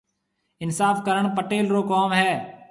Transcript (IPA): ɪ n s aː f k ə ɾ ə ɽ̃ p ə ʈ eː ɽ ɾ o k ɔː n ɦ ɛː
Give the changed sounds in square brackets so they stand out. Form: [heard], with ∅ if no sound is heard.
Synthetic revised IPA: ɪ n s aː f k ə ɾ ə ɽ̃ p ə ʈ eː [l] ɾ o k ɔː [m] ɦ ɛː